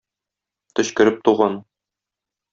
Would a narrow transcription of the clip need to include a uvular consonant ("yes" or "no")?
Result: yes